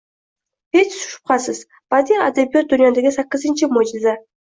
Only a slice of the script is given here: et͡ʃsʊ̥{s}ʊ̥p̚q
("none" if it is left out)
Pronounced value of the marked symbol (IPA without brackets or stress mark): ʃ